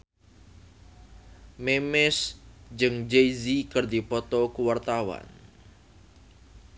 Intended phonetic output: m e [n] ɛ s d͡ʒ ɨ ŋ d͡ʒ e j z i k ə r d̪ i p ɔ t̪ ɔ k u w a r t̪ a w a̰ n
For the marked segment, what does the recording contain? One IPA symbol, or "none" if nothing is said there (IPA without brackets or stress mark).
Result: m